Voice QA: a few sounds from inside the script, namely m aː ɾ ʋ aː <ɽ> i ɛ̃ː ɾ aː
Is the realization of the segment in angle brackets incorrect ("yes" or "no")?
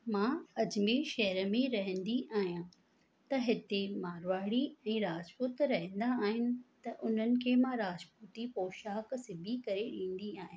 no